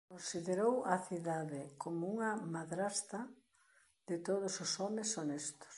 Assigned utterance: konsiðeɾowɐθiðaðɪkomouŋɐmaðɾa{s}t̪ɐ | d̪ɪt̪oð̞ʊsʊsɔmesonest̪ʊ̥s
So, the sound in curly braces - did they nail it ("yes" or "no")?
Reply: yes